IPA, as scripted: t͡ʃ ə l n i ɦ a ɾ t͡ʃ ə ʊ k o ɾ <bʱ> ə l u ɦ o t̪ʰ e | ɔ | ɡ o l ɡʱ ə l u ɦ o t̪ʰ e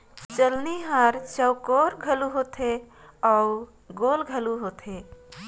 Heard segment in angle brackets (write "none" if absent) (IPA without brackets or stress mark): ɡʱ